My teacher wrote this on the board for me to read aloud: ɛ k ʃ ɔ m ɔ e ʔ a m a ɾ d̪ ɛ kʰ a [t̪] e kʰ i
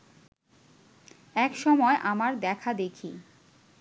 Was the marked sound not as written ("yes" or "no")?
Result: yes